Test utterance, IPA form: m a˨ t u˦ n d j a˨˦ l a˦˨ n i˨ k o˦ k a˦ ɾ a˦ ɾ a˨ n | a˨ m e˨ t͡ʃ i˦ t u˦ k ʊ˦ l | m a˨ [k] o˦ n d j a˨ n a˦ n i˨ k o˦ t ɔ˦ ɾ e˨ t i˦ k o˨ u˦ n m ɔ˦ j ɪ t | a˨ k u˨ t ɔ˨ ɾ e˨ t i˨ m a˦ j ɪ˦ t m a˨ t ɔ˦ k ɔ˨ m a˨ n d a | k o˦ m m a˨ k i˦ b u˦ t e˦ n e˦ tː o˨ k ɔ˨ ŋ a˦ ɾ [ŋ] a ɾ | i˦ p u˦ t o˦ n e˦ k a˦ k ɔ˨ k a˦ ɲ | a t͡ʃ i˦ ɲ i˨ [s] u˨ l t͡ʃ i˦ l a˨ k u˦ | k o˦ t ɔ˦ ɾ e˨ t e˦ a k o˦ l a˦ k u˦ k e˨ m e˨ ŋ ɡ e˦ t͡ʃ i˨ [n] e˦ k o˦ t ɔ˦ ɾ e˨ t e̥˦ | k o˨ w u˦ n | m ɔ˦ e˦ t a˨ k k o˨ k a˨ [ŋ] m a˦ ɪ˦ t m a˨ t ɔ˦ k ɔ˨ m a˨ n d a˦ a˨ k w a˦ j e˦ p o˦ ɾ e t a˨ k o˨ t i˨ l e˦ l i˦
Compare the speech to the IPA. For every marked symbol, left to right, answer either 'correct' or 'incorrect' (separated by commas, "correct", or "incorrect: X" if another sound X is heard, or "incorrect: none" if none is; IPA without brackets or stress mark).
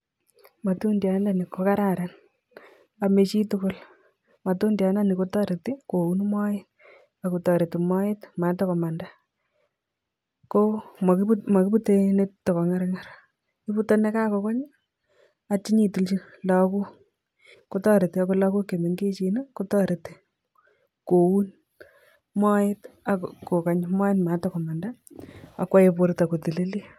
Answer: incorrect: t, correct, incorrect: t, correct, incorrect: ɲ